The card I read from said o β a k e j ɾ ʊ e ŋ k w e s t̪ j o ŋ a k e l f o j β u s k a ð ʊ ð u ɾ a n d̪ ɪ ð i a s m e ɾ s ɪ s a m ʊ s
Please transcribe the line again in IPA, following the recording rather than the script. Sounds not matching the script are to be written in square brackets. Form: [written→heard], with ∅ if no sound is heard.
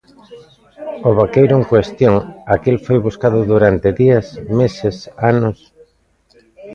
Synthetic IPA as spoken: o β a k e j ɾ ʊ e ŋ k w e s t̪ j o ŋ a k e l f o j β u s k a ð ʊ ð u ɾ a n [d̪→t̪] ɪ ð i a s m e [ɾ→∅] s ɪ s a [m→n] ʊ s